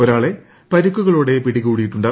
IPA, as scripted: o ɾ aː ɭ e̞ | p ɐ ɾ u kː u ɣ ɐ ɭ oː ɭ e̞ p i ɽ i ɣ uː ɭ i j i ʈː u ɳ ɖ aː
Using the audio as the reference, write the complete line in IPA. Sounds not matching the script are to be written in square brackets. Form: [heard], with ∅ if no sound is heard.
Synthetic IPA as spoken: o ɾ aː ɭ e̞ | p ɐ ɾ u kː u ɣ ɐ ɭ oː [ɽ] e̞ p i ɽ i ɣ uː [ɽ] i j i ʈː u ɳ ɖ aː

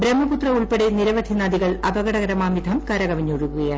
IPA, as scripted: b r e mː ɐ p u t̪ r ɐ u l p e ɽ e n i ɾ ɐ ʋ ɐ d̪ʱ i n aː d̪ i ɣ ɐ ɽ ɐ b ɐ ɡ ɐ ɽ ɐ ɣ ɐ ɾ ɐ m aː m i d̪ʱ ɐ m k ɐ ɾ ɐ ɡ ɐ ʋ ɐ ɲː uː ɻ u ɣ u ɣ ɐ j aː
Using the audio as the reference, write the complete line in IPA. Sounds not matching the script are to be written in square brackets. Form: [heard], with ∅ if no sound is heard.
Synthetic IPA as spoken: b [ɾ] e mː ɐ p u t̪ r ɐ u [ɭ] p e ɽ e n i ɾ ɐ ʋ ɐ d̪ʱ i n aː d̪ i ɣ ɐ [ɭ] ɐ b ɐ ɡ ɐ ɽ ɐ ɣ ɐ ɾ ɐ m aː m i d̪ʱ ɐ m k ɐ ɾ ɐ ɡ ɐ ʋ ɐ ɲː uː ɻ u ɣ u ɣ ɐ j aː

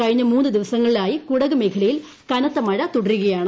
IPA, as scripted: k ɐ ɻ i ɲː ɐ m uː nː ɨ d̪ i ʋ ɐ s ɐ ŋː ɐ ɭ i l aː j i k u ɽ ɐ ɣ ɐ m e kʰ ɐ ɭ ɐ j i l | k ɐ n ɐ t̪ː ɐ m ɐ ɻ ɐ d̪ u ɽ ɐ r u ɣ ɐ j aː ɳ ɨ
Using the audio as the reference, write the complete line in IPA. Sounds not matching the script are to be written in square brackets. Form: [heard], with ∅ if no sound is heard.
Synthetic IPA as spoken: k ɐ ɻ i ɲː ɐ m uː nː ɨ d̪ i ʋ ɐ s ɐ ŋː ɐ ɭ i l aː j i k u ɽ ɐ ɣ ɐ m e kʰ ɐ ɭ ɐ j i l | k ɐ n ɐ t̪ː ɐ m ɐ ɻ ɐ [t̪] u ɽ ɐ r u ɣ ɐ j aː ɳ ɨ

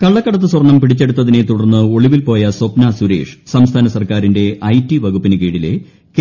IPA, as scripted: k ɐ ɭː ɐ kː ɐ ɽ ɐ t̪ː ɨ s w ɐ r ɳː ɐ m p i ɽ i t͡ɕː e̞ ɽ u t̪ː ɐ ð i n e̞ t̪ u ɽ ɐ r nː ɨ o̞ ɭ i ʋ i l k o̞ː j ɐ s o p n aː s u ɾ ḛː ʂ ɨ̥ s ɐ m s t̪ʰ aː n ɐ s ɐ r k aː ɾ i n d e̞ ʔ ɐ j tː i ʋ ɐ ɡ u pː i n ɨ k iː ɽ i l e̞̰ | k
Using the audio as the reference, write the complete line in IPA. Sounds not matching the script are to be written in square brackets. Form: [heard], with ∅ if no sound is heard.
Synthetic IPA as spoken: k ɐ ɭː ɐ kː ɐ ɽ ɐ t̪ː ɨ s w ɐ r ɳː ɐ m p i ɽ i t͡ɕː e̞ ɽ u t̪ː ɐ ð i n e̞ t̪ u ɽ ɐ r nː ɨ o̞ ɭ i ʋ i l [p] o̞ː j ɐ s o p n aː s u ɾ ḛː ʂ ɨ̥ s ɐ m s t̪ʰ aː n ɐ s ɐ r k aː ɾ i n d e̞ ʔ ɐ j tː i ʋ ɐ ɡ u pː i n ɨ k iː ɽ i l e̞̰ | k

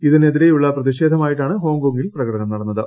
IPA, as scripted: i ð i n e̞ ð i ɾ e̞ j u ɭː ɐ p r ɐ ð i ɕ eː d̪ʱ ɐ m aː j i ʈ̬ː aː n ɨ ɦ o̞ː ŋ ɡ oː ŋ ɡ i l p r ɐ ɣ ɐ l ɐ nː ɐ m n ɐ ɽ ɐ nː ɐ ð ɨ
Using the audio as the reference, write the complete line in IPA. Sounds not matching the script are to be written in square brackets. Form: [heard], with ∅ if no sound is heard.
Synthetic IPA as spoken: i ð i n e̞ ð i ɾ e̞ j u ɭː ɐ p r ɐ ð i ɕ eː d̪ʱ ɐ m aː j i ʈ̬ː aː [ɳ] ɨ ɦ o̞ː ŋ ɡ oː ŋ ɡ i l p r ɐ ɣ ɐ [ɽ] ɐ [n] ɐ m n ɐ ɽ ɐ nː ɐ ð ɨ

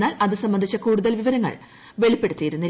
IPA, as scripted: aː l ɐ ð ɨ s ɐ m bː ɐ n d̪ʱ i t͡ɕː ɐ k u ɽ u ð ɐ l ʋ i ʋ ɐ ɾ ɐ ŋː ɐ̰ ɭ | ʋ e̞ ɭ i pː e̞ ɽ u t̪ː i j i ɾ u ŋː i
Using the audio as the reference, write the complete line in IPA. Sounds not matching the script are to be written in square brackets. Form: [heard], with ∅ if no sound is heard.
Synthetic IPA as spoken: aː l ɐ ð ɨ s ɐ m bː ɐ n d̪ʱ i t͡ɕː ɐ k [uː] ɽ u ð ɐ l ʋ i ʋ ɐ ɾ ɐ ŋː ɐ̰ ɭ | ʋ e̞ ɭ i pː e̞ ɽ u t̪ː i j i ɾ u [nː] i

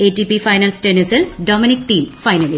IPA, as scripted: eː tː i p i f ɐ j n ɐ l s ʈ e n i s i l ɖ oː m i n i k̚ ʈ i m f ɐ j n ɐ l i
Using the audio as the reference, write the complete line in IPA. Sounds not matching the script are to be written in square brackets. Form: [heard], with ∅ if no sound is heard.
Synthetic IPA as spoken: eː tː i p i f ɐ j n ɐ l s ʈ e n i s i l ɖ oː m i n i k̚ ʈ [iː] m f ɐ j n ɐ l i

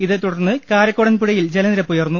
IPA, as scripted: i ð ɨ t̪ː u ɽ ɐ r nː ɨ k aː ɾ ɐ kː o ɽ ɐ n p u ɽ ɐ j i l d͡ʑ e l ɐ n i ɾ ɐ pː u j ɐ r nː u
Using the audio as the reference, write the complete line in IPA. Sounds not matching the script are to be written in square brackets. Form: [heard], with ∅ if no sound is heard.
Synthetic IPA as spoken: i ð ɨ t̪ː u ɽ ɐ r nː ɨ k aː ɾ ɐ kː o ɽ ɐ n p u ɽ ɐ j i l d͡ʑ e l ɐ n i ɾ ɐ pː u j ɐ r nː u

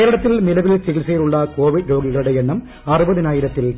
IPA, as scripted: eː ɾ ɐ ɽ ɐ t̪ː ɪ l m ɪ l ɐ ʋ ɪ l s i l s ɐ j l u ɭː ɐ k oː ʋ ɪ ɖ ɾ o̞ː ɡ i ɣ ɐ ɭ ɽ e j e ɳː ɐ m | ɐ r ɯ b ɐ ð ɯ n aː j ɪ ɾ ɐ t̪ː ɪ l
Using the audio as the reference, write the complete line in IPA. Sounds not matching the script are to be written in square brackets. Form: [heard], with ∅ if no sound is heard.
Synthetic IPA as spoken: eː ɾ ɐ ɽ ɐ t̪ː ɪ l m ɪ l ɐ ʋ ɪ l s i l s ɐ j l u ɭː ɐ k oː ʋ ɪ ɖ ɾ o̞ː ɡ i ɣ ɐ ɭ ɽ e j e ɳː ɐ m | ɐ r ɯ b ɐ ð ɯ n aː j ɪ ɾ ɐ t̪ː ɪ l

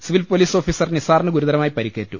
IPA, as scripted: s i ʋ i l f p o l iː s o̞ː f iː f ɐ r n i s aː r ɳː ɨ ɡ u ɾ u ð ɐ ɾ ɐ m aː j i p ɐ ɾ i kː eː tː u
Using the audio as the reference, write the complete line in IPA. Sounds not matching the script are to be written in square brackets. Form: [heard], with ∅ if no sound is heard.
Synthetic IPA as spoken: s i ʋ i l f p o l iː s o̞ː f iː [s] ɐ r n i s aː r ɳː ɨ ɡ u ɾ u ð ɐ ɾ ɐ m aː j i p ɐ ɾ i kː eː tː u

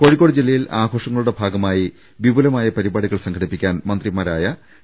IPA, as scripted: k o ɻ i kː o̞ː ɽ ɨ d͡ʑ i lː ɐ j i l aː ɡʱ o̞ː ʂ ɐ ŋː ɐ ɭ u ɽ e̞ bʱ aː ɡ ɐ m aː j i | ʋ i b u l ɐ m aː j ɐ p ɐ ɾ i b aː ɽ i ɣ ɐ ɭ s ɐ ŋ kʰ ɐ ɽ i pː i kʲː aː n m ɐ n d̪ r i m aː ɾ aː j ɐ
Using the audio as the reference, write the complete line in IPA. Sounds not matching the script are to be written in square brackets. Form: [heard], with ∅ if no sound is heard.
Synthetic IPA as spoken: k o ɻ i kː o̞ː ɽ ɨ d͡ʑ i lː ɐ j i l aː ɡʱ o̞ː ʂ ɐ ŋː ɐ ɭ u ɽ e̞ bʱ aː ɡ ɐ m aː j i | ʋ i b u l ɐ m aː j ɐ p ɐ ɾ i b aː ɽ i ɣ ɐ ɭ s ɐ ŋ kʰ ɐ ɽ i pː i kʲː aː n m ɐ n d̪ r i m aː ɾ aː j ɐ

